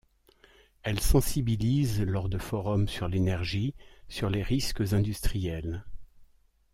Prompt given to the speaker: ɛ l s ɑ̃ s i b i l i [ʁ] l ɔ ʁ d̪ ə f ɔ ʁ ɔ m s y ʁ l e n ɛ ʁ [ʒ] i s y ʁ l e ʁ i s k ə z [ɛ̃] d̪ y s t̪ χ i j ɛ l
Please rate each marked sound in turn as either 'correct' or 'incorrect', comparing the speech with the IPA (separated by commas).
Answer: incorrect, correct, correct